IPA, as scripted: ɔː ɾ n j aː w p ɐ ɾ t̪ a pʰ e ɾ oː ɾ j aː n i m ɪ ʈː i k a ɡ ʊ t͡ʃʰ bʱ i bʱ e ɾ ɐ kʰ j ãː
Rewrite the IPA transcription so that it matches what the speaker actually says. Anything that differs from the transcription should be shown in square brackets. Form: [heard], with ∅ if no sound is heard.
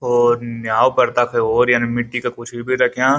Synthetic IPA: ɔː ɾ n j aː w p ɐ ɾ t̪ a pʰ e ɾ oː ɾ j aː n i m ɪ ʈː i k a [k] ʊ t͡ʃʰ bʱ i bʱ [i] ɾ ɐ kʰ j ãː